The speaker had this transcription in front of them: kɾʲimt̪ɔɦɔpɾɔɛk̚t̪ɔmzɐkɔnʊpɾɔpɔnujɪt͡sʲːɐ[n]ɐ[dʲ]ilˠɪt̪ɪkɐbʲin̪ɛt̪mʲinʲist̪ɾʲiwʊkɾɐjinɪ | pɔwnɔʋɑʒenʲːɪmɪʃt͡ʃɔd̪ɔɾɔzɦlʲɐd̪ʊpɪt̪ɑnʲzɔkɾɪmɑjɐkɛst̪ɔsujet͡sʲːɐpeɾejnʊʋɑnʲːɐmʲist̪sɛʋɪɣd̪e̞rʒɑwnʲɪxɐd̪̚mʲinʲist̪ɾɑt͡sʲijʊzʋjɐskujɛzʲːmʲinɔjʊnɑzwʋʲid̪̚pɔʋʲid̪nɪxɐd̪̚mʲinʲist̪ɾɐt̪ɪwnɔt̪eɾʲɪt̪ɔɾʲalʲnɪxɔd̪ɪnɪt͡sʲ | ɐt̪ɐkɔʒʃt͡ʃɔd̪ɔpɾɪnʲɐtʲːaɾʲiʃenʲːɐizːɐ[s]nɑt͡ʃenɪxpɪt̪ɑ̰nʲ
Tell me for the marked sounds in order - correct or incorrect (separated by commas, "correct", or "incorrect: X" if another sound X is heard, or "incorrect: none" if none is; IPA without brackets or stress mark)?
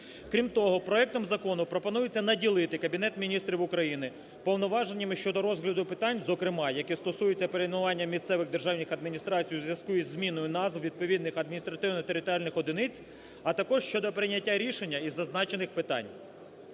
correct, correct, incorrect: z